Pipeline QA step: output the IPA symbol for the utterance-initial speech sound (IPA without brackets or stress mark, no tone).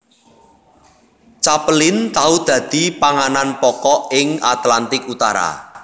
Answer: t͡ʃ